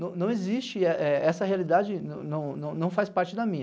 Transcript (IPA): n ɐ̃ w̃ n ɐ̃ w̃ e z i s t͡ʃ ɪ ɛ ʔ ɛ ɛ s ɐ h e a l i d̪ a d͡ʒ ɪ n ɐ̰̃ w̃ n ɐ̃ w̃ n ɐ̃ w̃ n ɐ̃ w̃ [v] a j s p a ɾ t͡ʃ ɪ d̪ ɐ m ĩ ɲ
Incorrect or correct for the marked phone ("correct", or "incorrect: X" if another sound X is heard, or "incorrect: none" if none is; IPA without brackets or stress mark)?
incorrect: f